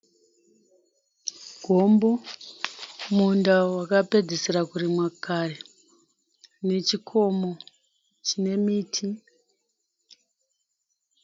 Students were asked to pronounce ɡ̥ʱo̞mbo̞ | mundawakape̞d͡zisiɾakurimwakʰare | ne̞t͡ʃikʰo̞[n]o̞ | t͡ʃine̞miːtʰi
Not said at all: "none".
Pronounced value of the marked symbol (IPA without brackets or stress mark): m